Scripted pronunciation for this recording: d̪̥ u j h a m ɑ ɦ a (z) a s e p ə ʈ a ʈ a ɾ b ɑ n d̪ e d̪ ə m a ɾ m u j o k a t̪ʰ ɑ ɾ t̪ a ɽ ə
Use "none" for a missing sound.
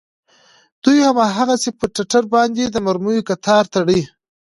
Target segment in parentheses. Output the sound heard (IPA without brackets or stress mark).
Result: ɣ